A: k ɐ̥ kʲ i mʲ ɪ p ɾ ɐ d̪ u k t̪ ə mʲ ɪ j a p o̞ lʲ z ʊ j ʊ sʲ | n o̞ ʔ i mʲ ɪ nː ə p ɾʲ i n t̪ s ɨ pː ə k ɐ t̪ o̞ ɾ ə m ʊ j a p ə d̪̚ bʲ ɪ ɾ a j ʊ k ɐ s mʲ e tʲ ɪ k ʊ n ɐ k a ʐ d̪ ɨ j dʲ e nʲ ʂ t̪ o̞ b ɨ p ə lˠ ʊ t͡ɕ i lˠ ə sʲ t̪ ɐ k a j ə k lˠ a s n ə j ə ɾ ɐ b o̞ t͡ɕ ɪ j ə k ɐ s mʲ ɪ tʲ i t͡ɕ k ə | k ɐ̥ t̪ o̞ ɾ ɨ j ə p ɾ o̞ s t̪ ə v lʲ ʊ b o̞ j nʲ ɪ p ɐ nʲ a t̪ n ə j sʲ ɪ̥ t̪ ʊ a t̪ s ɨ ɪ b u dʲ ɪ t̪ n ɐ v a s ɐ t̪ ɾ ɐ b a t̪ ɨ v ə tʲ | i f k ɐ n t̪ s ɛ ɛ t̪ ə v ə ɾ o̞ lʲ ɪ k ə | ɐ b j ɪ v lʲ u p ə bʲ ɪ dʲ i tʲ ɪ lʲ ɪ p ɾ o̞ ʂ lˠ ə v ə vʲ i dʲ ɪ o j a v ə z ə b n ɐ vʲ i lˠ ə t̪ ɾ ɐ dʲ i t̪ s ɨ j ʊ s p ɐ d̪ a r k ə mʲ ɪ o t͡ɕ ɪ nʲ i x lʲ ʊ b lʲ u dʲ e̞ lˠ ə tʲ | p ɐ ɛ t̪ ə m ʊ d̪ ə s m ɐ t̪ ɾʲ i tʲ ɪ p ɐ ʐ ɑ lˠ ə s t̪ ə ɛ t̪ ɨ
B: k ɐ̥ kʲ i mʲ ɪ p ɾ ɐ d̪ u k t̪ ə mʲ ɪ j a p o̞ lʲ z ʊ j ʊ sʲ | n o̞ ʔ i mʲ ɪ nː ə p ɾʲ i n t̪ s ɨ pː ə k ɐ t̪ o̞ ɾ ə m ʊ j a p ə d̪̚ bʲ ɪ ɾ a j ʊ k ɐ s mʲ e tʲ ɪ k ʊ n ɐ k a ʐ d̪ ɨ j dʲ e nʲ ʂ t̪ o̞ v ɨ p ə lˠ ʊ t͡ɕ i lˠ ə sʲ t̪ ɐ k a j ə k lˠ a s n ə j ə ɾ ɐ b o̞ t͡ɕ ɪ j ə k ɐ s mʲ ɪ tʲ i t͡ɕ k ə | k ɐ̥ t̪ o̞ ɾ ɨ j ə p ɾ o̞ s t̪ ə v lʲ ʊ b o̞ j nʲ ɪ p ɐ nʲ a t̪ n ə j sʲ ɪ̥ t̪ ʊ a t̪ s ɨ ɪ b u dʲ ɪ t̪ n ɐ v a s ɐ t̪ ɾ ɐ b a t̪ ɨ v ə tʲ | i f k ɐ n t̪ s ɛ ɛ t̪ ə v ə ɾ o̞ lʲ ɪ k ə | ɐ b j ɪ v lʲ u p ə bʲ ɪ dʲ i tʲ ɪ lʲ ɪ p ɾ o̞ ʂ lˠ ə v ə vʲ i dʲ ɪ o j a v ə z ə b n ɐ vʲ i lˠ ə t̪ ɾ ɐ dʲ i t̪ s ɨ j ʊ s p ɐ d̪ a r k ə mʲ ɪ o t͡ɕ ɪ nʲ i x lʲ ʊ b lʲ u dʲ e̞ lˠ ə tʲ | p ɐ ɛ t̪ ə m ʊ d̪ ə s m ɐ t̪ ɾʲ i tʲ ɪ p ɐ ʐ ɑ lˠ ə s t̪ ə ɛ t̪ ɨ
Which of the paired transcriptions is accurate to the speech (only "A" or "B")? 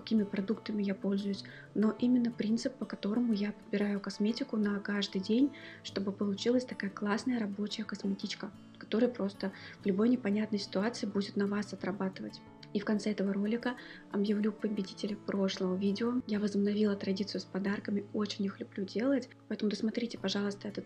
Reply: A